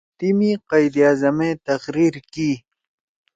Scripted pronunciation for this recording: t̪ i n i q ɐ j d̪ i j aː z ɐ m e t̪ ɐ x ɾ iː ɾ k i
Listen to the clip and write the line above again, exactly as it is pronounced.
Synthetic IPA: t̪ i m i q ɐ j d̪ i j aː z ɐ m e t̪ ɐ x ɾ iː ɾ k i